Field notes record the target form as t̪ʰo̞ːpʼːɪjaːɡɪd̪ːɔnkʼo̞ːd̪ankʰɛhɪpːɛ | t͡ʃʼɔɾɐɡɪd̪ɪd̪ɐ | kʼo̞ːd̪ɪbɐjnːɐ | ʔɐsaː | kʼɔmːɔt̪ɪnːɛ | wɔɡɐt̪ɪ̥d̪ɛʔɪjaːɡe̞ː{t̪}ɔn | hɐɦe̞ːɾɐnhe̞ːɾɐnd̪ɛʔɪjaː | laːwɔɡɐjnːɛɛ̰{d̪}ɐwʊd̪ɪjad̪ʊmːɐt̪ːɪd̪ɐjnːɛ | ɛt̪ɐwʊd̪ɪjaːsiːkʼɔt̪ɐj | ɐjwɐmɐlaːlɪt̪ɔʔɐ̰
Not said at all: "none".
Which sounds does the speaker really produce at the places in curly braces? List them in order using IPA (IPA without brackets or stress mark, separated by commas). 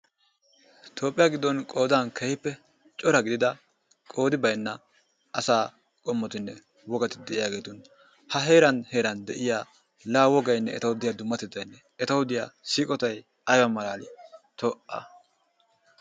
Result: t̪, t̪